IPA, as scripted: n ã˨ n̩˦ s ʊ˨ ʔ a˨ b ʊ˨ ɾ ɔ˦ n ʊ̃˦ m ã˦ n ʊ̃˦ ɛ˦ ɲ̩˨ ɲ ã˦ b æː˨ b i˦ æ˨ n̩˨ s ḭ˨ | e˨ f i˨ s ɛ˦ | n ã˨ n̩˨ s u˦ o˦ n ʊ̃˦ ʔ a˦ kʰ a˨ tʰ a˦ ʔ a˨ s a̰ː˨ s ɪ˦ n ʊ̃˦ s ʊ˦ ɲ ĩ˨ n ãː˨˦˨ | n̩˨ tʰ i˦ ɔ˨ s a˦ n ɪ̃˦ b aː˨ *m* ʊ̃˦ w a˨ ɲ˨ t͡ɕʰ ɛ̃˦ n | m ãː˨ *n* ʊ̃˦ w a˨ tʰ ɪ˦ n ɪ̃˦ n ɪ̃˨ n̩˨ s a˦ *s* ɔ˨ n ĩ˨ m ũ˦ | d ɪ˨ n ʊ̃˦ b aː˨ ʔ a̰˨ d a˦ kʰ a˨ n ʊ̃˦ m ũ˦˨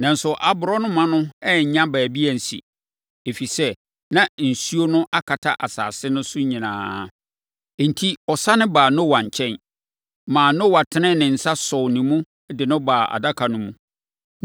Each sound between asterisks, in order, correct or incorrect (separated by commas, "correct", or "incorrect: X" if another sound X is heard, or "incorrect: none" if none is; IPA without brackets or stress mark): incorrect: n, correct, correct